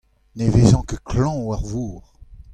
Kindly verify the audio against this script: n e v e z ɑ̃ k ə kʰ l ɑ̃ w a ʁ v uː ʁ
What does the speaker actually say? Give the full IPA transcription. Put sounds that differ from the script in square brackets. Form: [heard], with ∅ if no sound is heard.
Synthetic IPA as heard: n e v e z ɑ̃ k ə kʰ l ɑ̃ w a ʁ v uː ʁ